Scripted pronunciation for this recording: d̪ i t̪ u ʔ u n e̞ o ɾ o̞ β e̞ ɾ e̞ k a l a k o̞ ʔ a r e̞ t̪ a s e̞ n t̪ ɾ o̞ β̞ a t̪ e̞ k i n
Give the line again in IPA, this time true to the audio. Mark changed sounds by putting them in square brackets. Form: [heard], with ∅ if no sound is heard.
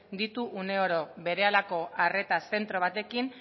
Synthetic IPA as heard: d̪ i t̪ u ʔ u n e̞ o ɾ o̞ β e̞ ɾ e̞ [∅] a l a k o̞ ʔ a r e̞ t̪ a s e̞ n t̪ ɾ o̞ β̞ a t̪ e̞ k i n